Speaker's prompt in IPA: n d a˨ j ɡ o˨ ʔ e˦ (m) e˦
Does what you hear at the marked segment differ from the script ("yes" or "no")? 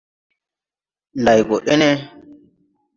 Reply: yes